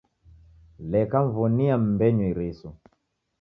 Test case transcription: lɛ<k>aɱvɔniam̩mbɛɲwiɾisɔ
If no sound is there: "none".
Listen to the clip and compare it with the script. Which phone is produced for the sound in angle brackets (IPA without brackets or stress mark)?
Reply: k